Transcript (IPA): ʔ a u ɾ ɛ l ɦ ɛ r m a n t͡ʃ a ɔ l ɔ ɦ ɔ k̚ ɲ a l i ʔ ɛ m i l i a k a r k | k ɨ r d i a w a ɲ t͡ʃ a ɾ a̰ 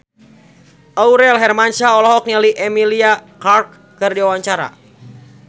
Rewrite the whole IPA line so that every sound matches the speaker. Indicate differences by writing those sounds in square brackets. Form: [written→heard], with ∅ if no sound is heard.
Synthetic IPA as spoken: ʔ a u ɾ ɛ l ɦ ɛ r m a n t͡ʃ a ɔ l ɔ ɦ ɔ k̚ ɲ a l i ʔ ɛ m i l i a k a r k | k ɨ r d i a w a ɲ t͡ʃ a ɾ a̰

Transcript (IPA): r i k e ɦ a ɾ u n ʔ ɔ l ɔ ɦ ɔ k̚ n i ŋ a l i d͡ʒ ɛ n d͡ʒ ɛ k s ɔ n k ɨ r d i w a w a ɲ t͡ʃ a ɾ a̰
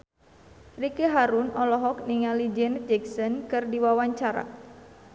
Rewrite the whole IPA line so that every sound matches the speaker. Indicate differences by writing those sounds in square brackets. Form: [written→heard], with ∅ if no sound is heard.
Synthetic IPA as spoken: r i k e ɦ a ɾ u n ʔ ɔ l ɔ ɦ ɔ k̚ n i ŋ a l i d͡ʒ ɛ n d͡ʒ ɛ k s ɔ n k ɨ r d i w a w a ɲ t͡ʃ a ɾ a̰

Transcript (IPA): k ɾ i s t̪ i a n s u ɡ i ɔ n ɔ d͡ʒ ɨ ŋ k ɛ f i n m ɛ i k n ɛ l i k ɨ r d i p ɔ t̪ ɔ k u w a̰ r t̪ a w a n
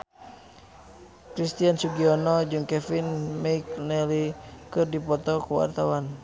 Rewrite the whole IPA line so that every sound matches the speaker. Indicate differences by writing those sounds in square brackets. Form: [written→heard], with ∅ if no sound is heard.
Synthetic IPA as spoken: k ɾ i s t̪ i a n s u ɡ i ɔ n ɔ d͡ʒ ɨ ŋ k ɛ f i n m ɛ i k n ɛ l i k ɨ r d i p ɔ t̪ ɔ k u w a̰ r t̪ a w a n

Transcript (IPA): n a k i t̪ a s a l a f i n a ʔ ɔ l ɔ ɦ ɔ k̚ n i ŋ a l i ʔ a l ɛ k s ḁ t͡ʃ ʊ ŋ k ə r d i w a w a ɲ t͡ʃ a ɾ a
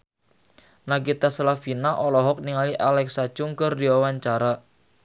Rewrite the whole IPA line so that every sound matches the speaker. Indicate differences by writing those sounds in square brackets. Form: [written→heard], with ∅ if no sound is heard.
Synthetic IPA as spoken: n a k i t̪ a s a l a f i n a ʔ ɔ l ɔ ɦ ɔ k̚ n i ŋ a l i ʔ a l ɛ k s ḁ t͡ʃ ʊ ŋ k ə r d i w a w a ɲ t͡ʃ a ɾ a

